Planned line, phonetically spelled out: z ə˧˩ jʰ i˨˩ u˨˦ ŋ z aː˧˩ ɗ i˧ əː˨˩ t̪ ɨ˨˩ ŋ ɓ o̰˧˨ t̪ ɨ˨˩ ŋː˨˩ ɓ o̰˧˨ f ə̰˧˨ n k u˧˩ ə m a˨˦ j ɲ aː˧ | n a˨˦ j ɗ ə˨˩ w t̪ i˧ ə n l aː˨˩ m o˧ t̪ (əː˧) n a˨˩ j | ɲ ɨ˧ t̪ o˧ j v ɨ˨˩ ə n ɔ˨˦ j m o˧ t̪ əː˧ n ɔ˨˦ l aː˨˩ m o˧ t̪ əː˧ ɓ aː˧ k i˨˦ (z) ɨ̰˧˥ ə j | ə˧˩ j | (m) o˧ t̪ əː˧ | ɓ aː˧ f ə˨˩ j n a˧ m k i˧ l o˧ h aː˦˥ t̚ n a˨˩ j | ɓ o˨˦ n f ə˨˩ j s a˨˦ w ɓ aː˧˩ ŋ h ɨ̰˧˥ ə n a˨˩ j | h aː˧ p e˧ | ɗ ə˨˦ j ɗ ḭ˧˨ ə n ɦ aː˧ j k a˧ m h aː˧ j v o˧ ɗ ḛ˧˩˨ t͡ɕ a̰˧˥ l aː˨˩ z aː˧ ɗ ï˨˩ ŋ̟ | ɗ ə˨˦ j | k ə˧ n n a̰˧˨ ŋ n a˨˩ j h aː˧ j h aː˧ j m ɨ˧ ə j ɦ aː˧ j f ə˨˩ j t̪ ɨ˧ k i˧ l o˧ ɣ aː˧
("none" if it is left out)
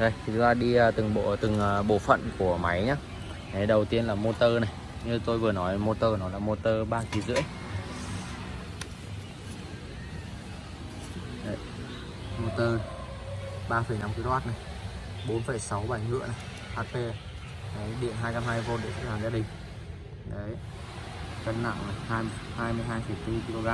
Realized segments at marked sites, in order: əː˧, z, m

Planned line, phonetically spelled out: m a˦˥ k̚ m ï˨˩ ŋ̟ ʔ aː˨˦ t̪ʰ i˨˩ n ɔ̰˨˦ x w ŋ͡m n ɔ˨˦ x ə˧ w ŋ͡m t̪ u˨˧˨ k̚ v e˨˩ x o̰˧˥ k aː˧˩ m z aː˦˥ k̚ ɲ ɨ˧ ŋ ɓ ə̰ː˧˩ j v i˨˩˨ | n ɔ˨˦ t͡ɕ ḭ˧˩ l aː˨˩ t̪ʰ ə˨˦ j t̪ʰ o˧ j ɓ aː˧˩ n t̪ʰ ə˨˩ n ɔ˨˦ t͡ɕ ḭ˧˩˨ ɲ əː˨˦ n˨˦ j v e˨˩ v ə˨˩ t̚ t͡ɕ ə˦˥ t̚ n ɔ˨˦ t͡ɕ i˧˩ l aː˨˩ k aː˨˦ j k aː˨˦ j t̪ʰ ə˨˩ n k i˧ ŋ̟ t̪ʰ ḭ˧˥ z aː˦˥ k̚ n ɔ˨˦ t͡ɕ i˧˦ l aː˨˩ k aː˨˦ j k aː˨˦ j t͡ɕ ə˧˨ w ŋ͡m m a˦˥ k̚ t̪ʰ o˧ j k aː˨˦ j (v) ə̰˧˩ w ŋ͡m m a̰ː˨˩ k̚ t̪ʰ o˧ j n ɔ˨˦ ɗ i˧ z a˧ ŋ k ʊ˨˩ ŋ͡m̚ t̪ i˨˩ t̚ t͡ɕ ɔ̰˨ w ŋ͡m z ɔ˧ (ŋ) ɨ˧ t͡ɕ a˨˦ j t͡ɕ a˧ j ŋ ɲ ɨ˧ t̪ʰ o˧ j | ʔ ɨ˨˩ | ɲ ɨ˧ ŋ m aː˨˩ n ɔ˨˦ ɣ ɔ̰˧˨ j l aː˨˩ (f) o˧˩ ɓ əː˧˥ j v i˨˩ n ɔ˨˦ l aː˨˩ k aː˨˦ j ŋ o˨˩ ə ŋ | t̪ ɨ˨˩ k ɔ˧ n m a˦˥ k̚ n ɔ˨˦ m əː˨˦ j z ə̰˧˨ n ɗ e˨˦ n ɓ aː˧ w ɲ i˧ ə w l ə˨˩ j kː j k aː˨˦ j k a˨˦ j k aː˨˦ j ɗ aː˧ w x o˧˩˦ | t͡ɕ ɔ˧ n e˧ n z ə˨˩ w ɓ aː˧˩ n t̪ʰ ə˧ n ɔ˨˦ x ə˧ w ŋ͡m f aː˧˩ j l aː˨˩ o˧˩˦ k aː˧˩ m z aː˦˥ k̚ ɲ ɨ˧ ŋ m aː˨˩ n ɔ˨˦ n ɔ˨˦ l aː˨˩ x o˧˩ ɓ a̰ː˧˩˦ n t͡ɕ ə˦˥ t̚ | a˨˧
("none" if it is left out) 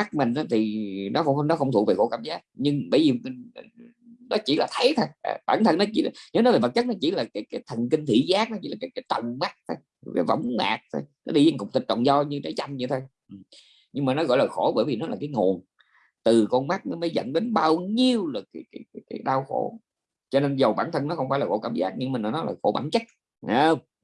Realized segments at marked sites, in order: v, ɲ, x

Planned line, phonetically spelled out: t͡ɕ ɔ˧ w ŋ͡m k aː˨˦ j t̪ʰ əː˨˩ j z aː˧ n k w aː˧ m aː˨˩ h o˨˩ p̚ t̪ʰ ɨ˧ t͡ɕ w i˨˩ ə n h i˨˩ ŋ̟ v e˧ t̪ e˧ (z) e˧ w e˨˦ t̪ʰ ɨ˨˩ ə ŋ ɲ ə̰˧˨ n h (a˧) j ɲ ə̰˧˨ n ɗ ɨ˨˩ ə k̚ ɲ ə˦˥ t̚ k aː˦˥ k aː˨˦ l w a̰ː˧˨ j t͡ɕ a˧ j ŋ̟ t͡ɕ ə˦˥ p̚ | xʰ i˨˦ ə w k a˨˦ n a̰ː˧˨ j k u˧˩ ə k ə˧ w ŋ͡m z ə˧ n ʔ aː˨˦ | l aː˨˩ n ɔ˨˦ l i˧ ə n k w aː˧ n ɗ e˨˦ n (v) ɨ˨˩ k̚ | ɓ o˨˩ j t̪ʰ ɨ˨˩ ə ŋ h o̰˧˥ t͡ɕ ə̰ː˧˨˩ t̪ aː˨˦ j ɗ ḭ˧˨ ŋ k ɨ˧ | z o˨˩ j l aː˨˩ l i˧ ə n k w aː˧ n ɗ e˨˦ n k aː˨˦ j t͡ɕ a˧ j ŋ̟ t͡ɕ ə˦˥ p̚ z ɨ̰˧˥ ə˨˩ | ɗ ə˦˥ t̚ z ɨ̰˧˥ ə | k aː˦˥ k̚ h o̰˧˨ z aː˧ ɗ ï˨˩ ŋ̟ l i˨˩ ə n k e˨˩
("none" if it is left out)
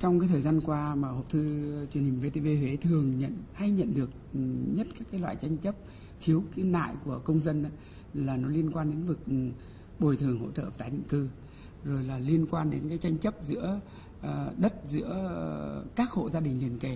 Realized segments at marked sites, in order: v, a˧, v

